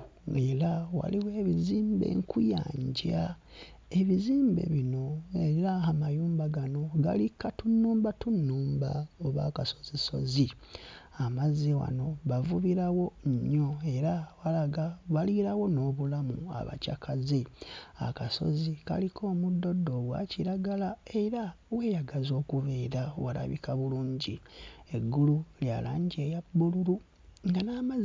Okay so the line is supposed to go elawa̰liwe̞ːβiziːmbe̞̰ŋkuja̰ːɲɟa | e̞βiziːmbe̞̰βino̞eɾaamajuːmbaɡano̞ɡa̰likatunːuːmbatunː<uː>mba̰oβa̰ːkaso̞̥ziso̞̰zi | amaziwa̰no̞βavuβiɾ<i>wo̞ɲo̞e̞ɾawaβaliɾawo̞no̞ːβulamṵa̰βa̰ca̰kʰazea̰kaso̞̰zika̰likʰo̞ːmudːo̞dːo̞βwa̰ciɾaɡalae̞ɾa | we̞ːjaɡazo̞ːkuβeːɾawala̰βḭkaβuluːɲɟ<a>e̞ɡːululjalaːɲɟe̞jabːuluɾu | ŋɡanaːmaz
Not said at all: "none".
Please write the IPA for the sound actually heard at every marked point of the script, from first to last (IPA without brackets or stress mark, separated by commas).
uː, a, i